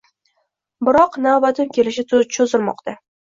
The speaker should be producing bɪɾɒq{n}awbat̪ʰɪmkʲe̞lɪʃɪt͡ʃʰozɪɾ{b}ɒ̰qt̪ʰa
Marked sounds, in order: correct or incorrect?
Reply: correct, incorrect

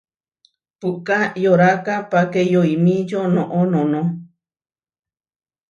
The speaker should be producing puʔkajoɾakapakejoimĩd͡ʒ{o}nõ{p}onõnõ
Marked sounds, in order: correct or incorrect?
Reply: correct, incorrect

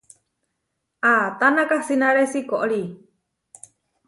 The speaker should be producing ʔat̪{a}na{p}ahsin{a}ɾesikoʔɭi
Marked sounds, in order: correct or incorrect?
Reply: correct, incorrect, correct

